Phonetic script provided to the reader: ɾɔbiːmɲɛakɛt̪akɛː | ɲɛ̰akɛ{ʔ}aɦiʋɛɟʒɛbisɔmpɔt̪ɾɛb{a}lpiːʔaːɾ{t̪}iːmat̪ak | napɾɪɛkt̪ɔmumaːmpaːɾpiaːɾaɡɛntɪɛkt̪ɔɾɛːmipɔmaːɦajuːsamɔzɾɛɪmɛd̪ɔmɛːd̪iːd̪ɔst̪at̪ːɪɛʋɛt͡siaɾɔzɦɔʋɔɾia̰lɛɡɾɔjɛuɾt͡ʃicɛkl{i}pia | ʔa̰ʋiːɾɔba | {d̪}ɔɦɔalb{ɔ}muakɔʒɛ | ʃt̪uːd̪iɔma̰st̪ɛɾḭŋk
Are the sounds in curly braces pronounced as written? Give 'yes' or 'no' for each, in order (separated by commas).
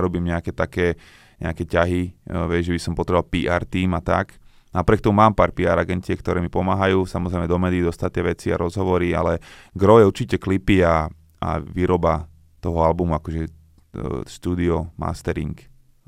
no, yes, yes, yes, no, no